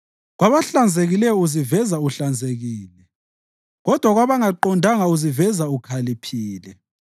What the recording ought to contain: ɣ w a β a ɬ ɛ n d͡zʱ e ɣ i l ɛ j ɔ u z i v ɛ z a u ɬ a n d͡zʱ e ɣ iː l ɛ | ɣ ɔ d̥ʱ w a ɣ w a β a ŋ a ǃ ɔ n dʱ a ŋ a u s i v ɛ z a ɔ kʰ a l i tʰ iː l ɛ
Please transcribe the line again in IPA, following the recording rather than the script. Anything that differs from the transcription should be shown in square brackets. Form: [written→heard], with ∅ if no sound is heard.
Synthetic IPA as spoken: ɣ w a β a ɬ [ɛ→a] n d͡zʱ e ɣ i l ɛ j ɔ u z i v ɛ z a u ɬ a n d͡zʱ e ɣ iː l ɛ | ɣ ɔ d̥ʱ w a ɣ w a β a ŋ a ǃ ɔ n dʱ a ŋ a u [s→z] i v ɛ z a [ɔ→u] kʰ a l i [tʰ→pʰ] iː l ɛ

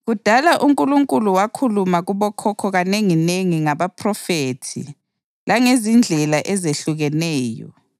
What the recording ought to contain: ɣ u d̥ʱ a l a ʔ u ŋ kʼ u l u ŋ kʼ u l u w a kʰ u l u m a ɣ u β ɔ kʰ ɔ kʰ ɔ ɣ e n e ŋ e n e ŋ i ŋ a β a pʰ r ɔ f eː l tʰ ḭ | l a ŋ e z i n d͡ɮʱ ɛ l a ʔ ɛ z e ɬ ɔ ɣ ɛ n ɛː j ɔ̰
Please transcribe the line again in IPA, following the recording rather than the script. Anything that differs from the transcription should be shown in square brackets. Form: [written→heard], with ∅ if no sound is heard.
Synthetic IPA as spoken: ɣ u d̥ʱ a l a ʔ u ŋ kʼ u l u ŋ kʼ u l u w a kʰ u l u m a ɣ u β ɔ kʰ ɔ kʰ ɔ ɣ [e→a] n e ŋ [e→i] n e ŋ i ŋ a β a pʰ r ɔ f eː [l→∅] tʰ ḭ | l a ŋ e z i n d͡ɮʱ ɛ l a ʔ ɛ z e ɬ [ɔ→u] ɣ ɛ n ɛː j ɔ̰

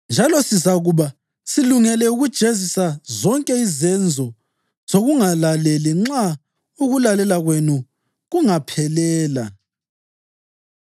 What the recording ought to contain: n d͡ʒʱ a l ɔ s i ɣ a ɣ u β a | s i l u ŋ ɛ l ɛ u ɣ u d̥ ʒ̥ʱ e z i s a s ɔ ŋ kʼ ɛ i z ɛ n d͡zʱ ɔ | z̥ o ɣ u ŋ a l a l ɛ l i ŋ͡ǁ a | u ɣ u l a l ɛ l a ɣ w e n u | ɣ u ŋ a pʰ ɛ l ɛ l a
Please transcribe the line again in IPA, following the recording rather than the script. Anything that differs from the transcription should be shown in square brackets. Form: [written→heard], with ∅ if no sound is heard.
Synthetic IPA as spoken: n d͡ʒʱ a l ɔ s i [ɣ→z] a ɣ u β a | s i l u ŋ ɛ l ɛ u ɣ u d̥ ʒ̥ʱ e z i s a [s→z] ɔ ŋ kʼ ɛ i z ɛ n d͡zʱ ɔ | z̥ o ɣ u ŋ a l a l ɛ l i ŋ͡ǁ a | u ɣ u l a l ɛ l a ɣ w e n u | ɣ u ŋ a pʰ ɛ l [ɛ→ɛː] l a

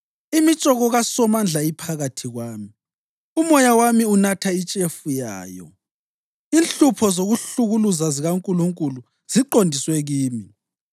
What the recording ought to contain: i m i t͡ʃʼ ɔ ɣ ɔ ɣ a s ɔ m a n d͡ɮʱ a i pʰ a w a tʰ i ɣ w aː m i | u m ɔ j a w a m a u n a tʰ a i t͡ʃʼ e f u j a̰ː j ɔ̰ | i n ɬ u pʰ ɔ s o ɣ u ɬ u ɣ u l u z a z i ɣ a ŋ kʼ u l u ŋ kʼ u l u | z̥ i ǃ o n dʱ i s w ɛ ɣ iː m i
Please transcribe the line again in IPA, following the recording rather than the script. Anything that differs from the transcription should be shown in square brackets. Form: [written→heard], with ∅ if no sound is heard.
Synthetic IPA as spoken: i m i t͡ʃʼ ɔ ɣ ɔ ɣ a s ɔ m a n d͡ɮʱ a i pʰ a [w→ɣ] a tʰ i ɣ w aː m i | u m ɔ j a w a m [a→i] u n a tʰ a i t͡ʃʼ e f u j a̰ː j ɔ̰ | i n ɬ u pʰ ɔ [s→z] o ɣ u ɬ u ɣ u l u z a z i ɣ a ŋ kʼ u l u ŋ kʼ u l u | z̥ i ǃ o n dʱ i s w ɛ ɣ iː m i

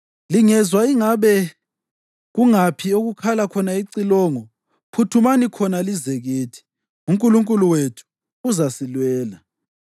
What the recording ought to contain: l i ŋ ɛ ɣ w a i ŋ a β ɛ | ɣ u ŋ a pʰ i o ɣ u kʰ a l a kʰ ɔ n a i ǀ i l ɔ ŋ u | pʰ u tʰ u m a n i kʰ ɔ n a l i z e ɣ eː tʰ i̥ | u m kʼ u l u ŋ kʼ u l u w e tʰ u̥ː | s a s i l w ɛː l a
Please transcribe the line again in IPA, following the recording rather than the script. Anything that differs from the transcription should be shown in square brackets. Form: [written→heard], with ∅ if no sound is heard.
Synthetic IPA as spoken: l i ŋ ɛ [ɣ→z] w a i ŋ a β ɛ | ɣ u ŋ a pʰ i o ɣ u kʰ a l a kʰ ɔ n a i ǀ i l ɔ ŋ [u→ɔ] | pʰ u tʰ u m a n i kʰ ɔ n a l i z e ɣ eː tʰ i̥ | u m kʼ u l u ŋ kʼ u l u w e tʰ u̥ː | [s→z] a s i l w ɛː l a

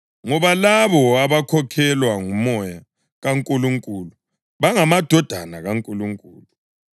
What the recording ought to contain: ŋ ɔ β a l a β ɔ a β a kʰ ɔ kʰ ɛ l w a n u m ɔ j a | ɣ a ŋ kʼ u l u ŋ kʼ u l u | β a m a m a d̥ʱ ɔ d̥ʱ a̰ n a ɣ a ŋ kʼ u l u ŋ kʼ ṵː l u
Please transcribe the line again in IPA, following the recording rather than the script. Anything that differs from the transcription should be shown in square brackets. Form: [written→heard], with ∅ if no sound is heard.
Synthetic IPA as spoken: ŋ ɔ β a l a β ɔ a β a kʰ ɔ kʰ ɛ l w a [n→ŋ] u m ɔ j a | ɣ a ŋ kʼ u l u ŋ kʼ u l u | β a [m→ŋ] a m a d̥ʱ ɔ d̥ʱ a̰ n a ɣ a ŋ kʼ u l u ŋ kʼ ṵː l u

